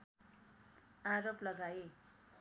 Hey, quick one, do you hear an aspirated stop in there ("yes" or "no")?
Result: no